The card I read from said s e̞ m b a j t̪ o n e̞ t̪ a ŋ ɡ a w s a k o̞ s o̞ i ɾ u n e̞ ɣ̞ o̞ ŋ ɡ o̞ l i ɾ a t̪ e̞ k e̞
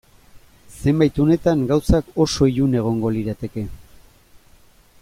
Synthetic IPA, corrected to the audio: s e̞ m b a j t̪ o n e̞ t̪ a ŋ ɡ a w s a k o̞ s o̞ i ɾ u n e̞ ɣ̞ o̞ ŋ ɡ o̞ l i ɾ a t̪ e̞ k e̞